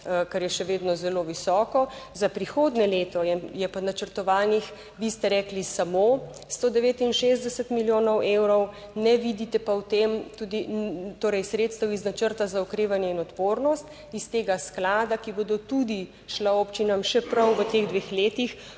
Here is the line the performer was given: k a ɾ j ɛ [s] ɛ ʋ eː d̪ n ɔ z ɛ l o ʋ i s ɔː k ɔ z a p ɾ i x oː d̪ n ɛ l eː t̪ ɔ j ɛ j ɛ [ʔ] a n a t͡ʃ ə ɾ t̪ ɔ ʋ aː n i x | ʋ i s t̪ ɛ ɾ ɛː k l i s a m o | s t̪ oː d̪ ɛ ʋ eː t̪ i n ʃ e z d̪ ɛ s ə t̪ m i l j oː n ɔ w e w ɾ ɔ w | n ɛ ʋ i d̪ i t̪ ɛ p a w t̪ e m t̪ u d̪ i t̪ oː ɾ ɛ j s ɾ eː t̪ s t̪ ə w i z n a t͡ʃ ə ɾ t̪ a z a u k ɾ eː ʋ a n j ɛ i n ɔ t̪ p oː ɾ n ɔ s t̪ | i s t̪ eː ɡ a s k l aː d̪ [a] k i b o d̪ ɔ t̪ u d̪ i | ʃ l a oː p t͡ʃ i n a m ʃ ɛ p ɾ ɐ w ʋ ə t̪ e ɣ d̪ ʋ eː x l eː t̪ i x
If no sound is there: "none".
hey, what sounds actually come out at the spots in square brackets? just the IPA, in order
ʃ, p, a

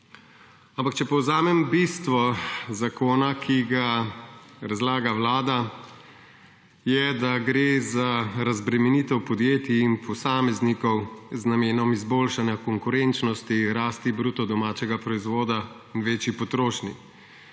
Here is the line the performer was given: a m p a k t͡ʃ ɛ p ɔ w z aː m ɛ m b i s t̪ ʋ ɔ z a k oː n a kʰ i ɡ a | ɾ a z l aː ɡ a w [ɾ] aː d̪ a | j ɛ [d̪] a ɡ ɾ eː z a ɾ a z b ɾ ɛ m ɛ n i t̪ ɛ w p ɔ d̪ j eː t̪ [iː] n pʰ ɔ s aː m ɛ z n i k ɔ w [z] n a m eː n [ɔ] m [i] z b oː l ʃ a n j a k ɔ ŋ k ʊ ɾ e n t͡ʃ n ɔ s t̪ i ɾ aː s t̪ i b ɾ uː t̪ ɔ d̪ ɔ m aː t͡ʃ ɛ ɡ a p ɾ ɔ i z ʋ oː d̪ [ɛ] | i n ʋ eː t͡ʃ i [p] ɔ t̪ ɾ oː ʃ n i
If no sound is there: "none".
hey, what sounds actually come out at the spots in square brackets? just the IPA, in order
l, d̪, iː, z, ɔ, i, a, p

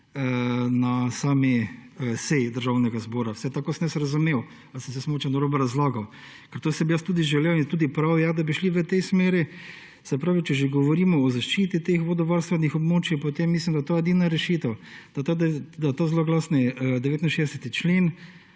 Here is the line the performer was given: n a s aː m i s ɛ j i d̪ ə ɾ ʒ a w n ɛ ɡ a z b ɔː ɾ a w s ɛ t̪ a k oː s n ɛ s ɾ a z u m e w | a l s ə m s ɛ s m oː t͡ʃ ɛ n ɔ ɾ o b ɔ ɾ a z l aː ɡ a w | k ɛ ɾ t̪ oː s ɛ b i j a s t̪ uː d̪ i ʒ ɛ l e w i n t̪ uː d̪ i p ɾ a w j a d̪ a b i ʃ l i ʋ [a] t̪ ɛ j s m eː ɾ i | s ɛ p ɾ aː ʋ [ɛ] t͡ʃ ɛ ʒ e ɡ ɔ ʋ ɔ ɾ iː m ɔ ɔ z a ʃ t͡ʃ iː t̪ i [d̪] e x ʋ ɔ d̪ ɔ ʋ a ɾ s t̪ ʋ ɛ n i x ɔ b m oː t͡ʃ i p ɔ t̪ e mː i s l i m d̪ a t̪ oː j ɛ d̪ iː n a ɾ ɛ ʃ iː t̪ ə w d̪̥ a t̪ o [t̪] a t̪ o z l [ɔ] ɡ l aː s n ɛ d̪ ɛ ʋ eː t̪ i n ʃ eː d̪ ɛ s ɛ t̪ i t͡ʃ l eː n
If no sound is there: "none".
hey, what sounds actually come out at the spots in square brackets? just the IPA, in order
ə, i, t̪, d̪, o

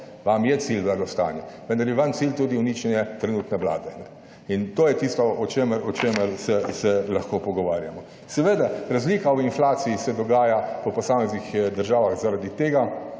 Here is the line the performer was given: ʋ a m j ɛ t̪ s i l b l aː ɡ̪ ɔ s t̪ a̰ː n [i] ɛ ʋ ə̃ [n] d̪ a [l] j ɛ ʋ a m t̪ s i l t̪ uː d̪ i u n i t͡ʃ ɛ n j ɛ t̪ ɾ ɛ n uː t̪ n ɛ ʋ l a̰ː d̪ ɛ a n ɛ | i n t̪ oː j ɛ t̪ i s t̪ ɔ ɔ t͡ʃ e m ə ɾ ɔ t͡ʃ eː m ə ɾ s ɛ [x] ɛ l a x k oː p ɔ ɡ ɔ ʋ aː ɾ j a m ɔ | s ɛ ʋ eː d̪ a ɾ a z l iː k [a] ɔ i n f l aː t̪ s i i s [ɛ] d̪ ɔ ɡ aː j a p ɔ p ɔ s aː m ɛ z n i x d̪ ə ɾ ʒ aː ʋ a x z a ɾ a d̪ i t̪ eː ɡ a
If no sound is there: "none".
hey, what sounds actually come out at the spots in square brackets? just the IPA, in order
j, n, ɾ, s, a, ɛ

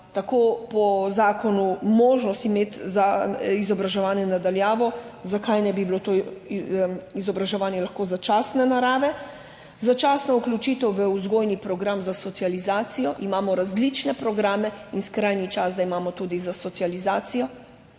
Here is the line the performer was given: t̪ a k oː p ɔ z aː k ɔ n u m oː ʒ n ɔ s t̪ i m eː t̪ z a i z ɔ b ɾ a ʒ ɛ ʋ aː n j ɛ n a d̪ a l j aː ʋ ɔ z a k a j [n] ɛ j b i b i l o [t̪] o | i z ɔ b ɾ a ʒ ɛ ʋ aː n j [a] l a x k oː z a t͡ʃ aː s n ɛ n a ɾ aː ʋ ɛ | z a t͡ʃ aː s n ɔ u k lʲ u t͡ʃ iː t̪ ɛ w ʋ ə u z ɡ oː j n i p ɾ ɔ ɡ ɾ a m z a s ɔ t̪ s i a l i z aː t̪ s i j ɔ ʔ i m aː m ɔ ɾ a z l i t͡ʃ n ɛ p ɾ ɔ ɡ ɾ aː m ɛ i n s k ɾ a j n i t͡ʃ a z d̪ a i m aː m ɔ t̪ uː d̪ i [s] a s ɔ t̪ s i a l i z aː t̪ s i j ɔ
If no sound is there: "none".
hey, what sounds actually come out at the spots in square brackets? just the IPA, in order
n, t̪, ɛ, z

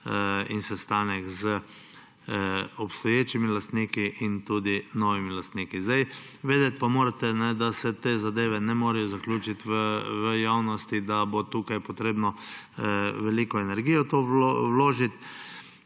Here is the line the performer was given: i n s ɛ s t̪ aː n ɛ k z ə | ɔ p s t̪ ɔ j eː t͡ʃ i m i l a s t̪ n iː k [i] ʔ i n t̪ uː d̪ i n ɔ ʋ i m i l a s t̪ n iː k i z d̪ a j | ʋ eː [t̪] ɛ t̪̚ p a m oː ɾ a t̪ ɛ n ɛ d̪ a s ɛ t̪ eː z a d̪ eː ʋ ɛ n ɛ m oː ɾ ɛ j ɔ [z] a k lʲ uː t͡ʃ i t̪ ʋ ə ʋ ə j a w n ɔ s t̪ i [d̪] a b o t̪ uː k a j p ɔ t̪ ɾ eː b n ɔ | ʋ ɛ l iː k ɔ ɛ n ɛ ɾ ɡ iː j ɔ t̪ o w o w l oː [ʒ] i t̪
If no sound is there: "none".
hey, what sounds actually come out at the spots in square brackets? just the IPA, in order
i, d̪, z, d̪, ʒ

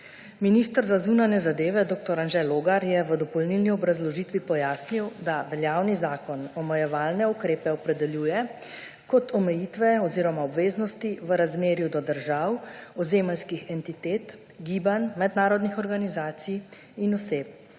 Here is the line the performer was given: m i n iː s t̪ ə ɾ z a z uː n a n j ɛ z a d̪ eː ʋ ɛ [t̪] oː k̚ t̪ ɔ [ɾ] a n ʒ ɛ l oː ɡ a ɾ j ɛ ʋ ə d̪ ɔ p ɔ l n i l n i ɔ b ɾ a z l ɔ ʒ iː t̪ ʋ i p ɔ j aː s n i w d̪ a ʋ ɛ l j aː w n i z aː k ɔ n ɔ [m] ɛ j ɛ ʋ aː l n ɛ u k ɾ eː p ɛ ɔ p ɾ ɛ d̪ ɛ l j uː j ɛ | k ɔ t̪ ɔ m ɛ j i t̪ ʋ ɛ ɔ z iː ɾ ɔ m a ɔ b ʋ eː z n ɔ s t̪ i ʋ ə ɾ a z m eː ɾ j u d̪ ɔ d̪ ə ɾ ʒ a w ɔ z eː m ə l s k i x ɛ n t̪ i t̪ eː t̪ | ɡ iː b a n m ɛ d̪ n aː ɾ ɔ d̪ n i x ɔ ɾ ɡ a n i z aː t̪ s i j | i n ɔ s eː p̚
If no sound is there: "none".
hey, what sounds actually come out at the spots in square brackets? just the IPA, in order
d̪, ɾ, m

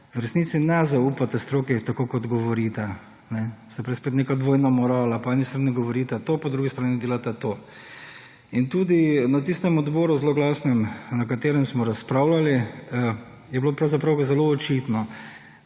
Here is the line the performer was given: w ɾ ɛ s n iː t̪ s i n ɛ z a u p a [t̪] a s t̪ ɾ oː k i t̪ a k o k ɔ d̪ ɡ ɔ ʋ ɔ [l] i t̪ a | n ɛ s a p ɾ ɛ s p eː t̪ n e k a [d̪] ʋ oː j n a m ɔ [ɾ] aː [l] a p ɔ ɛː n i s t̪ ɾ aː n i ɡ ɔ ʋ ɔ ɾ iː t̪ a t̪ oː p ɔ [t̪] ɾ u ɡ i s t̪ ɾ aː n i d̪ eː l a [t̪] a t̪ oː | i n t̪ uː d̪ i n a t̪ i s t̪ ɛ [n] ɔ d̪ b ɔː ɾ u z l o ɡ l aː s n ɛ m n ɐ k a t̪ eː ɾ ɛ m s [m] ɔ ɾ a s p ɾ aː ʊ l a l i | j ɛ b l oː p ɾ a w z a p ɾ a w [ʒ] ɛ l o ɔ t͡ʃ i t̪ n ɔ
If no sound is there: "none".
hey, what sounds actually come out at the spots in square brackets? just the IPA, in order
t̪, ɾ, d̪, ɾ, l, d̪, t̪, m, m, z

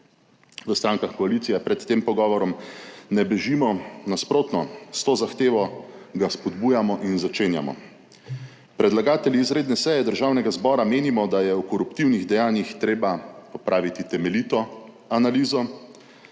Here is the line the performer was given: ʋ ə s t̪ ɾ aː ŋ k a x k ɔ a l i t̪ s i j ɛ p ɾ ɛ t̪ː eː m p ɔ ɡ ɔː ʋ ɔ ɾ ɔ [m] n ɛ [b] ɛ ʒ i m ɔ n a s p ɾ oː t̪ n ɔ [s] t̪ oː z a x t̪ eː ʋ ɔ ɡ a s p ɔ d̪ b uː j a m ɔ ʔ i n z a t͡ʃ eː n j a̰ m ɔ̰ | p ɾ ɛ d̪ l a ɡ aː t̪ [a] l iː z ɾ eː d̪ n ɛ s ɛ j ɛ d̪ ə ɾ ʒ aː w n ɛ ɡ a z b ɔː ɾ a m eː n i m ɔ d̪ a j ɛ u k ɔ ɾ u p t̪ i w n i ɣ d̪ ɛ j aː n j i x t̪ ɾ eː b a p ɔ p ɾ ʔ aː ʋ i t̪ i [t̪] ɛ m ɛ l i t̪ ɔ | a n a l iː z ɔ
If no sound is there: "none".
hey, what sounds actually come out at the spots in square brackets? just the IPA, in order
m, b, s, ɛ, t̪

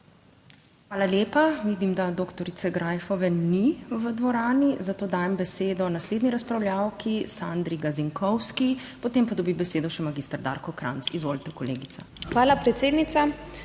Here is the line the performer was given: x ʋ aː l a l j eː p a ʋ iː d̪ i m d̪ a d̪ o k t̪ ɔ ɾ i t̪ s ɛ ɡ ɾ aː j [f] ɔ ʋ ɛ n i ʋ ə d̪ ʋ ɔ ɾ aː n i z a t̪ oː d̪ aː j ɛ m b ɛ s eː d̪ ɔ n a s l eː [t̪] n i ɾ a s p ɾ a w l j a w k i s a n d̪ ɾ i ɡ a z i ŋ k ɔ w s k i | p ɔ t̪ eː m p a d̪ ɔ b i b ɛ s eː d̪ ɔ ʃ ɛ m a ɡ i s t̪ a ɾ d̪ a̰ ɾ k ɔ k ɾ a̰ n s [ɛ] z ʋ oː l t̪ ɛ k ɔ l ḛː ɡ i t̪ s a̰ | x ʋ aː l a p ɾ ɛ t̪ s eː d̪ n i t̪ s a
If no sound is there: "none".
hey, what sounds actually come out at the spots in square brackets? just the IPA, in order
f, d̪, i

